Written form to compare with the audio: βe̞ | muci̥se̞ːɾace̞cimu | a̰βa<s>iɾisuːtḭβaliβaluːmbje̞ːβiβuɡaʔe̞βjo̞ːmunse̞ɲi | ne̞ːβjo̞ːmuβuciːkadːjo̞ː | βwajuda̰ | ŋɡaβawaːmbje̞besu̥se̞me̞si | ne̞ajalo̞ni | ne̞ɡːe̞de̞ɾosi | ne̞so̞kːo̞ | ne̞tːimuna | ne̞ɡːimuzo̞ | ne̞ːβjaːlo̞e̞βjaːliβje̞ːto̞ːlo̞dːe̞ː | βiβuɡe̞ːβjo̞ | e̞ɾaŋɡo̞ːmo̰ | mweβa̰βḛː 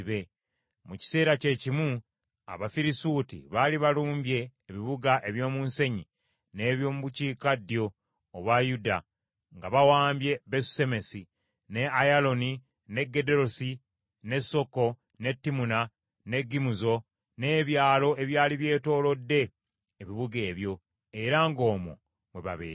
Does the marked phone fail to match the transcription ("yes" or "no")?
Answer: yes